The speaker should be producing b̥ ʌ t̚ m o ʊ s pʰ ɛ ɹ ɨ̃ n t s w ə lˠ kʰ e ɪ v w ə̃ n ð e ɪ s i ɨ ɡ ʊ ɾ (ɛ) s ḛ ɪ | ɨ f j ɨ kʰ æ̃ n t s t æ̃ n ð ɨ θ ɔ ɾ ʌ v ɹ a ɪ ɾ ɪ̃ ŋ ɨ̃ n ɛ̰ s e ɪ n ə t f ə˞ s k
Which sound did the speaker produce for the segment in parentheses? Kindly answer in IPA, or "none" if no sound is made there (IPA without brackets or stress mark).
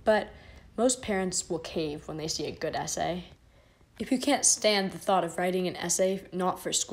ɛ